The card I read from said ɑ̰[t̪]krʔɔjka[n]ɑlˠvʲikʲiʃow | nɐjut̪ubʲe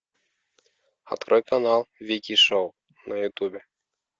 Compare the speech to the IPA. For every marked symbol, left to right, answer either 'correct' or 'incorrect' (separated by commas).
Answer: correct, correct